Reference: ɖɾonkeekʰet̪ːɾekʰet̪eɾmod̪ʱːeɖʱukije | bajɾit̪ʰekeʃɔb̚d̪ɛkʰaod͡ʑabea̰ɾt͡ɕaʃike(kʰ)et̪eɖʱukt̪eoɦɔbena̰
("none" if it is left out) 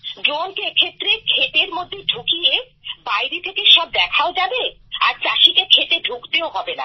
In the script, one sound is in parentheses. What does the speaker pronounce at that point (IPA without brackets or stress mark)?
kʰ